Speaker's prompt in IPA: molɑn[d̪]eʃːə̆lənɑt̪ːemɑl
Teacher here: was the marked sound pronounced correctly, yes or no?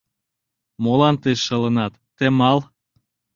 no